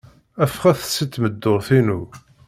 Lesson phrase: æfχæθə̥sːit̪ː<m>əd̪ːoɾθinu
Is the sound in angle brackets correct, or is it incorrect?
correct